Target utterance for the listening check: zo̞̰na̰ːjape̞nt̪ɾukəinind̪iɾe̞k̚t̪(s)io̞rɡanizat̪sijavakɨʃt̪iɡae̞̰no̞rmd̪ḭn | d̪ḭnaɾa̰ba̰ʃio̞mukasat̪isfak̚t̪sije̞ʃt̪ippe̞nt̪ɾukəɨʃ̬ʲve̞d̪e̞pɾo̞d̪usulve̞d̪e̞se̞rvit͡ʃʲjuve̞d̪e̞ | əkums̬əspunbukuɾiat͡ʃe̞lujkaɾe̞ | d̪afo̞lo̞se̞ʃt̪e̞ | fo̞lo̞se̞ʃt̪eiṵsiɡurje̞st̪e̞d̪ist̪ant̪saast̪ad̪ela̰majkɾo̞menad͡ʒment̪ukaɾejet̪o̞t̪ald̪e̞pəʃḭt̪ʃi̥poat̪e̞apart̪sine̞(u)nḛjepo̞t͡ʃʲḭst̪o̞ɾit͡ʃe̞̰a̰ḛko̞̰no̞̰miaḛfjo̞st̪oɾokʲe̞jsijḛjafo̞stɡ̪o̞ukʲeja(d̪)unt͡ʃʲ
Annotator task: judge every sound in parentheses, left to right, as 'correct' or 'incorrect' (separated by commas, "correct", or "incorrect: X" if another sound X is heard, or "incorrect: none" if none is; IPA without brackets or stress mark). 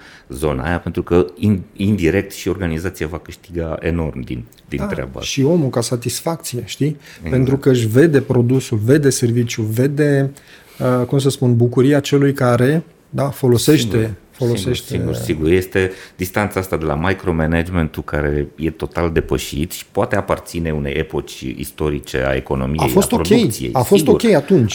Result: incorrect: ʃ, correct, incorrect: t̪